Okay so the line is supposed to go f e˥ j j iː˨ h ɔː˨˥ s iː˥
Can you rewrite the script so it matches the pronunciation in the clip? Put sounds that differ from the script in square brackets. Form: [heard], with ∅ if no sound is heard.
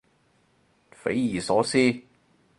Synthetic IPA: f [e˨˥] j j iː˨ [s] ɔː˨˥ s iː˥